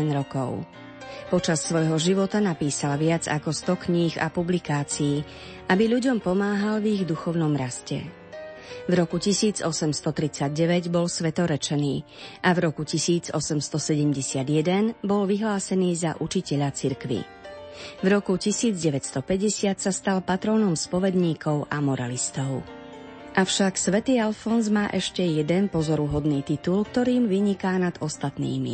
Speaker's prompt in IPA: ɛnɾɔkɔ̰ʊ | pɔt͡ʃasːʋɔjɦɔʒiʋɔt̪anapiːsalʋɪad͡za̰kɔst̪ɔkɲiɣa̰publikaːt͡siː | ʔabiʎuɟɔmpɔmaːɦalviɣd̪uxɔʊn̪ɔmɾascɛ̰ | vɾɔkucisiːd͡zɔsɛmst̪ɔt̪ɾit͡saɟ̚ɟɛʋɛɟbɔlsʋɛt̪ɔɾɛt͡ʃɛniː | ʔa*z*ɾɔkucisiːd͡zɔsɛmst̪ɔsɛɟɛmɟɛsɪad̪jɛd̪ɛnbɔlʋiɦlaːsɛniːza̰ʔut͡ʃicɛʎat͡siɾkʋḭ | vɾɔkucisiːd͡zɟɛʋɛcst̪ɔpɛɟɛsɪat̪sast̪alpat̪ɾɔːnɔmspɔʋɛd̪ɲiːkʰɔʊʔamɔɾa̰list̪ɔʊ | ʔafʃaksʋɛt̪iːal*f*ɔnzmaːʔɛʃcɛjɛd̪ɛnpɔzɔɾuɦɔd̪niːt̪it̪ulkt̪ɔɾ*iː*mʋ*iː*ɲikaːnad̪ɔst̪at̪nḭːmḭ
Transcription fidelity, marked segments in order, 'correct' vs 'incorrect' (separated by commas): incorrect, correct, correct, incorrect